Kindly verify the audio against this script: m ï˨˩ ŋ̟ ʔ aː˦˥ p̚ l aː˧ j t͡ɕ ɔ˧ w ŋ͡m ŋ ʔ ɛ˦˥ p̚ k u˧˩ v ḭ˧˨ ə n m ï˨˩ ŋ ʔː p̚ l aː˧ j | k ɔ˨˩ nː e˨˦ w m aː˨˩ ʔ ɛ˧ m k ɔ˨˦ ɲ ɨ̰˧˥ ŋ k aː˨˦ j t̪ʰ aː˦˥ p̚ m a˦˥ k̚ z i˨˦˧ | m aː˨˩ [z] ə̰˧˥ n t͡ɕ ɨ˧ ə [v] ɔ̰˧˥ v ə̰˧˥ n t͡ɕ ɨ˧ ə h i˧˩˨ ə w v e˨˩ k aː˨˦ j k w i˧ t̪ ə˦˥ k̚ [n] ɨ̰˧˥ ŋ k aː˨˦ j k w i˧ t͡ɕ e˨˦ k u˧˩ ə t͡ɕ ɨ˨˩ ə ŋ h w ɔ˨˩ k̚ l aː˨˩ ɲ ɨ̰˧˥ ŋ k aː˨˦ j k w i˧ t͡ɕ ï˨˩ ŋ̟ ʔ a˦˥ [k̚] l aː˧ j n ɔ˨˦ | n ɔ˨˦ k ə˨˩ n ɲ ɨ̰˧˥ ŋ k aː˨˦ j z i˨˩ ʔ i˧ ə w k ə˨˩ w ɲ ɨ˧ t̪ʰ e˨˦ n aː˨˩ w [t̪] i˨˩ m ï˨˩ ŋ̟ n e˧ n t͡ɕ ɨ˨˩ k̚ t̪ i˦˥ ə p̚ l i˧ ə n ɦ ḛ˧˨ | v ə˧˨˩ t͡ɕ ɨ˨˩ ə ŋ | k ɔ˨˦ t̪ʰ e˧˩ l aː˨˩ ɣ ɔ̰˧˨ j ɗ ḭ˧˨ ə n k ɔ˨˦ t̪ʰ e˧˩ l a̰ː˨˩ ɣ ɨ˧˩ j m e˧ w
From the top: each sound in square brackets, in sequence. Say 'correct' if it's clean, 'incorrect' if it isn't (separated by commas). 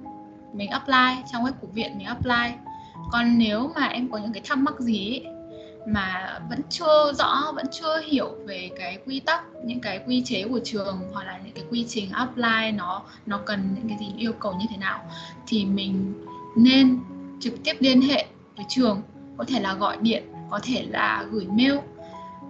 incorrect, incorrect, incorrect, incorrect, incorrect